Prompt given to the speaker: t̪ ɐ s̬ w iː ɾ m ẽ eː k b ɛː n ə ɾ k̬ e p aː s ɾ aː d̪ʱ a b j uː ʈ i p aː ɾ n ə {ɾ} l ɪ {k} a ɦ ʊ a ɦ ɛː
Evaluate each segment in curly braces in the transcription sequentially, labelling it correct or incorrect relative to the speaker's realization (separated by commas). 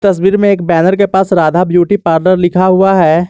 correct, incorrect